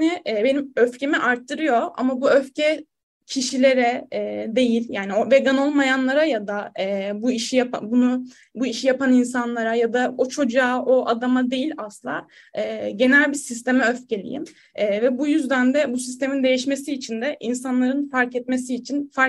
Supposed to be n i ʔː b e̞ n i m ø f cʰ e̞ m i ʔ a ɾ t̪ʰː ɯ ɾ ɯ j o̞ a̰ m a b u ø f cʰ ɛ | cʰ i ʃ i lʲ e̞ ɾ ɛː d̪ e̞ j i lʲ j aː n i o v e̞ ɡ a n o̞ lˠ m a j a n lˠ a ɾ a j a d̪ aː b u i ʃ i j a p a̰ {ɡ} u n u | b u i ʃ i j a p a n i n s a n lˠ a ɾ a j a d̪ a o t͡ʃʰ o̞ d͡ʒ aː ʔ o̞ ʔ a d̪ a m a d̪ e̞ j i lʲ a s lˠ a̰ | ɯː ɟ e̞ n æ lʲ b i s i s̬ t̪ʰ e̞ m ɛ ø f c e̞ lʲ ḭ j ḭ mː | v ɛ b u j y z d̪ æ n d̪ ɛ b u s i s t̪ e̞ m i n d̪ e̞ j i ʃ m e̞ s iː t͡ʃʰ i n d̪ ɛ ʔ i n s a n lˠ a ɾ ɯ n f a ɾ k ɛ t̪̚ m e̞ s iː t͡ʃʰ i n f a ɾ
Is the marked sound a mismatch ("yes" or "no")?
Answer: yes